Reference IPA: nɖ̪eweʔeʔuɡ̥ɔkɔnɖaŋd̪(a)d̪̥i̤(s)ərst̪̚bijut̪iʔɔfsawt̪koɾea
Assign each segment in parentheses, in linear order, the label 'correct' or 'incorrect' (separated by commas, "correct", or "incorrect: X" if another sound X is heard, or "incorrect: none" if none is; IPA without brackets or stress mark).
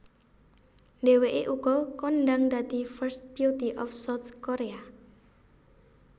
correct, incorrect: f